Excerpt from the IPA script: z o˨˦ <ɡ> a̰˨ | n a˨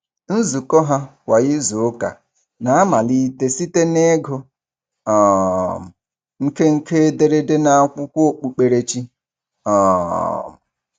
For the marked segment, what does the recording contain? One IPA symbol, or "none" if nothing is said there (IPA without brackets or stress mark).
k